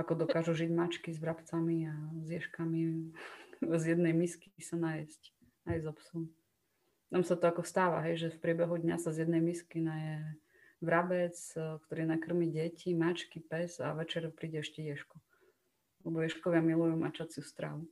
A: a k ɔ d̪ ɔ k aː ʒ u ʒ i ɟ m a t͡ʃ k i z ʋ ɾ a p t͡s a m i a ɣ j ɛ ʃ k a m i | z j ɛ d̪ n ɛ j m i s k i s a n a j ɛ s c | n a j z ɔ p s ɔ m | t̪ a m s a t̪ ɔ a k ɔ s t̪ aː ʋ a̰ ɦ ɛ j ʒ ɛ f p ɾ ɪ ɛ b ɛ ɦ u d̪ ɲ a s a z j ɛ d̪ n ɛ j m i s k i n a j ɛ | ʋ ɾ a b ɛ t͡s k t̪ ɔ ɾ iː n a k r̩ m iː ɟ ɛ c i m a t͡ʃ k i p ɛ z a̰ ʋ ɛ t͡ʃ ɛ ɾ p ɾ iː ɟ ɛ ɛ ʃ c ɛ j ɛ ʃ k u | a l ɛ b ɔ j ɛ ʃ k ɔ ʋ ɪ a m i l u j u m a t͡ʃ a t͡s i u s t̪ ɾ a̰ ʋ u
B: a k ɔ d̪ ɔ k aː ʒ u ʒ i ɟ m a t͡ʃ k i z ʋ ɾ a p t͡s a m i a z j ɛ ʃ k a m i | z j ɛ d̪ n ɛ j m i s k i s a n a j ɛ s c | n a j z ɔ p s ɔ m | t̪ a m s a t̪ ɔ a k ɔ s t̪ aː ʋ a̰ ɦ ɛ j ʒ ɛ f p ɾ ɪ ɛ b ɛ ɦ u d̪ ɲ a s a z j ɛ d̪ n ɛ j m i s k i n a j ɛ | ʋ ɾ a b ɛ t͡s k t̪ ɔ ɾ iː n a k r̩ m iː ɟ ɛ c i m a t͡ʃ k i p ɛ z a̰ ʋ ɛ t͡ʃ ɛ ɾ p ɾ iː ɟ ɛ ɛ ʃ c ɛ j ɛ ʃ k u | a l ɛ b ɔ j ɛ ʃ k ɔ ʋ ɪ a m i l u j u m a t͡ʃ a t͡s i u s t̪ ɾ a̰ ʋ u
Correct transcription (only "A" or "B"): B